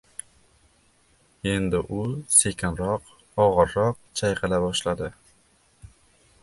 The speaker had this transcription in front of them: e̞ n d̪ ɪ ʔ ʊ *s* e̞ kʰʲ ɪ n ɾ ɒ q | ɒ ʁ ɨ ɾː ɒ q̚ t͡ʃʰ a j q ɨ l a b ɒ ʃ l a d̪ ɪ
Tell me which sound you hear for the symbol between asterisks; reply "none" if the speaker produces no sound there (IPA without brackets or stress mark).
s